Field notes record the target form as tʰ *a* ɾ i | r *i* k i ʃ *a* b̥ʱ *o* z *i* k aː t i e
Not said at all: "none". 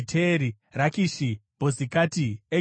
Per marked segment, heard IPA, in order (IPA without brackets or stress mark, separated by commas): e, a, i, o, i